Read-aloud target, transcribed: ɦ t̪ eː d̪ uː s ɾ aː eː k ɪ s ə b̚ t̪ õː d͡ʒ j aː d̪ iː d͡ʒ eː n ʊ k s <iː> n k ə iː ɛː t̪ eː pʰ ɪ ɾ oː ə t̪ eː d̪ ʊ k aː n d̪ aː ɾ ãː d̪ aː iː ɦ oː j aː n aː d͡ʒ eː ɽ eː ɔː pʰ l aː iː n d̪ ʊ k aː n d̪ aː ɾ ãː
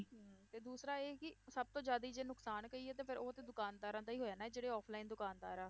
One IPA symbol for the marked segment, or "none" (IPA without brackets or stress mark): aː